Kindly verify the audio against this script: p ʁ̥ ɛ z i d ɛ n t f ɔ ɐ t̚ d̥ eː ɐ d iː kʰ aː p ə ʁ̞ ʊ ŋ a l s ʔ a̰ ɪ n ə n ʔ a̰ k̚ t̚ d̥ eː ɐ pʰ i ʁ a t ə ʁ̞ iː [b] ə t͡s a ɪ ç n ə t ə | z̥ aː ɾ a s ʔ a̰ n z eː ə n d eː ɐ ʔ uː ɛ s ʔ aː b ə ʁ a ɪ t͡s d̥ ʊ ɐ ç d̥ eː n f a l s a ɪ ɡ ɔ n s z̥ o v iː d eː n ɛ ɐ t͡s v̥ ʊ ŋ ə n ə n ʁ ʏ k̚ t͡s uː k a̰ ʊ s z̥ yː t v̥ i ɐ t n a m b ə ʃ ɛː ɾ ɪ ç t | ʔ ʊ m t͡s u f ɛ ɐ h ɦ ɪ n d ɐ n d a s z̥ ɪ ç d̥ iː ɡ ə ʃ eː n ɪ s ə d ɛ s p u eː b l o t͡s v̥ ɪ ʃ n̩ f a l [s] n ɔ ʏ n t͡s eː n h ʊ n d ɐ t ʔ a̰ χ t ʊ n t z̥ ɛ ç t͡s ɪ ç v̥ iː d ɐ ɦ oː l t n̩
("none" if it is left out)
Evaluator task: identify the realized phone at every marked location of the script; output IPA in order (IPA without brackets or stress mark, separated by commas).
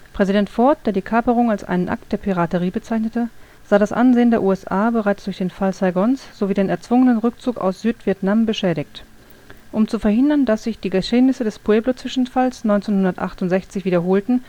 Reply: b, s